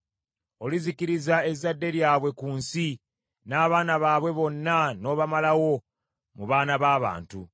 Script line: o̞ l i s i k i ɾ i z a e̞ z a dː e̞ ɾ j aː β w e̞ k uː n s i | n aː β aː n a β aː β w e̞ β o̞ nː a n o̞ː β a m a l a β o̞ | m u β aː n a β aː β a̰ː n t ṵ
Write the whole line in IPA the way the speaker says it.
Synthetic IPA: o̞ l i z i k i ɾ i z a e̞ z a dː e̞ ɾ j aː β w e̞ k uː n s i | n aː β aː n a β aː β w e̞ β o̞ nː a n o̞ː β a m a l a w o̞ | m u β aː n a β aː β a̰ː n t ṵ